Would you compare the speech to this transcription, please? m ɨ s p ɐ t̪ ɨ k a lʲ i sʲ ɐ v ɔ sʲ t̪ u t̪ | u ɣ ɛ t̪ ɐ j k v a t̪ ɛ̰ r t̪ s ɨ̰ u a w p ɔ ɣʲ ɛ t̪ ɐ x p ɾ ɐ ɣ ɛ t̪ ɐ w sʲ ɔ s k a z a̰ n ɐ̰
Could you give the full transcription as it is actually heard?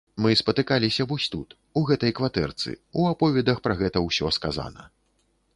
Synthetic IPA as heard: m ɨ s p ɐ t̪ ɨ k a lʲ i sʲ ɐ v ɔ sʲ t̪ u t̪ | u ɣ ɛ t̪ ɐ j k v a t̪ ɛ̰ r t̪ s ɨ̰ u a p ɔ vʲ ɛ d̪ ɐ x p ɾ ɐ ɣ ɛ t̪ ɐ w sʲ ɔ s k a z a̰ n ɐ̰